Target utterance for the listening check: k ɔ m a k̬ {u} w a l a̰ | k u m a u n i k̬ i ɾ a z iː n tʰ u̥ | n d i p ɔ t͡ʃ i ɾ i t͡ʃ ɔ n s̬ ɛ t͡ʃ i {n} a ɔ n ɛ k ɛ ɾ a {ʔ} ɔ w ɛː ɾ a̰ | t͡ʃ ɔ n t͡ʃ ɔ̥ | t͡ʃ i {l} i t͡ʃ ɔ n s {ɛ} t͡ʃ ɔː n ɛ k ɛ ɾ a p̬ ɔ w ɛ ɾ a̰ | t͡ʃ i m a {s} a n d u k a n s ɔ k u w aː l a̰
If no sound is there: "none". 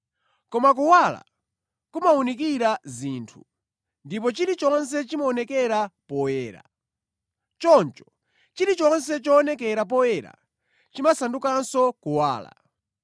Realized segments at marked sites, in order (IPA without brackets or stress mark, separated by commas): u, m, p, ɾ, ɛ, s